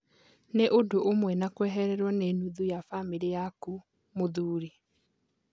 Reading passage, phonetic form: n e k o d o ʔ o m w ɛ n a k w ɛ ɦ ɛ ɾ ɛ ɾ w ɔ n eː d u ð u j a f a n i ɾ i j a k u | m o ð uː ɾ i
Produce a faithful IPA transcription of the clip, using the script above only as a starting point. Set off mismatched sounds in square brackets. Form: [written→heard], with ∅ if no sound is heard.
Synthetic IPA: n e [k→ʔ] o d o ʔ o m w ɛ n a k w ɛ ɦ ɛ ɾ ɛ ɾ w ɔ n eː [d→n] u ð u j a f a [n→m] i ɾ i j a k u | m o ð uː ɾ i